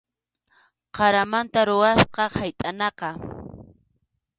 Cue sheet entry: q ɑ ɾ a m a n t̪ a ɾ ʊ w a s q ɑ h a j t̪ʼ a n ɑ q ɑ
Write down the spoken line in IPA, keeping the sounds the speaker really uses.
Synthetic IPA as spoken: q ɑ ɾ a m a n t̪ a ɾ ʊ w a s q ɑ h a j t̪ʼ a n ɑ q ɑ